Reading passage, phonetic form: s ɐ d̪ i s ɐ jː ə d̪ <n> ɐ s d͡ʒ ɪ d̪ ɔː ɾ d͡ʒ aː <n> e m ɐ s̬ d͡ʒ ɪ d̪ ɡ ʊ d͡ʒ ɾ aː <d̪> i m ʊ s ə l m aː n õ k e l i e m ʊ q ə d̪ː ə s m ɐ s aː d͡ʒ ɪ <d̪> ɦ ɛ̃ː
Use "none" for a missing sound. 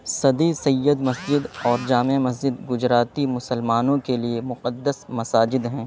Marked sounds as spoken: m, m, t̪, d̪

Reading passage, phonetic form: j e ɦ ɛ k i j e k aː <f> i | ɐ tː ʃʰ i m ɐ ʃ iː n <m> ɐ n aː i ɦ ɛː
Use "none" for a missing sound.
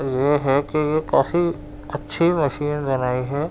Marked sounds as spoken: f, b

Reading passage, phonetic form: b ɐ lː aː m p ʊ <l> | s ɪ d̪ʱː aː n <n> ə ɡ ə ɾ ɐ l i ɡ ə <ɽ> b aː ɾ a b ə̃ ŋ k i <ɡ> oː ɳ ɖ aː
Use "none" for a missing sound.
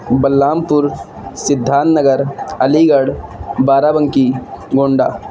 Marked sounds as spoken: ɾ, n, ɽ, ɡ

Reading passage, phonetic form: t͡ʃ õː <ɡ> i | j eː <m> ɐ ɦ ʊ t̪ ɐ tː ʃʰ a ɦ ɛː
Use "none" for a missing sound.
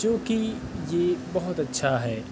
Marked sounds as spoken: k, b

